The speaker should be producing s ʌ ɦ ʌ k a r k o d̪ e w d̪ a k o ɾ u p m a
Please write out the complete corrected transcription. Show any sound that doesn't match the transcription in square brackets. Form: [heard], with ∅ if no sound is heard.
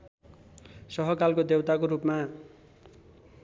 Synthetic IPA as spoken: s ʌ ɦ ʌ k a [l] k o d̪ e w [t̪] a k o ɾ u p m a